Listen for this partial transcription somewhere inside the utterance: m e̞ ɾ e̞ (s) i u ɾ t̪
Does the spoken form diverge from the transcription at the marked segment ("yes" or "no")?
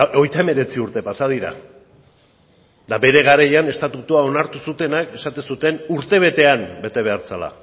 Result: yes